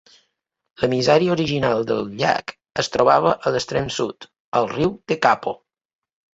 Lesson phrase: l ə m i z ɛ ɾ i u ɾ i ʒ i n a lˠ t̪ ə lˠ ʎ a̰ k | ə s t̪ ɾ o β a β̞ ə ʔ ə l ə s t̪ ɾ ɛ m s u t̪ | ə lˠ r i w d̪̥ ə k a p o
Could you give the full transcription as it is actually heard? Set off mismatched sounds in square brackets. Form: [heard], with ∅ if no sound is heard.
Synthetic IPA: l ə m i z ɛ ɾ i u ɾ i ʒ i n a lˠ [d̪] ə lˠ ʎ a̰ k | ə s t̪ ɾ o β a β̞ ə ʔ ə l ə s t̪ ɾ ɛ m s u t̪ | ə lˠ r i w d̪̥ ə k a p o